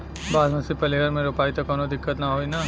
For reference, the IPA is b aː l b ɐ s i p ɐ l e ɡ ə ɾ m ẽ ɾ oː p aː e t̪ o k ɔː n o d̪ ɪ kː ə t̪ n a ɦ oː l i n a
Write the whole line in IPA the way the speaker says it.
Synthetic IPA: b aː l m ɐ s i p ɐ l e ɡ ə ɾ m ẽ ɾ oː p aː i t̪ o k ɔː n o d̪ ɪ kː ə t̪ n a ɦ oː i n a